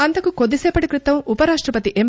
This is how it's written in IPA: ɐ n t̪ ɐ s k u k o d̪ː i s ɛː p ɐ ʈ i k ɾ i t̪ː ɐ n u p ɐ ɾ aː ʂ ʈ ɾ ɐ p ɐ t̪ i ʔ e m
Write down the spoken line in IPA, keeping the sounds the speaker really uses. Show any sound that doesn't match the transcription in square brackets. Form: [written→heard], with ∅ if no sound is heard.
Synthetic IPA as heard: ɐ n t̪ ɐ [s→∅] k u k o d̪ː i s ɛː p ɐ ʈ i k ɾ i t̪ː ɐ [n→m] u p ɐ ɾ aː ʂ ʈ ɾ ɐ p ɐ t̪ i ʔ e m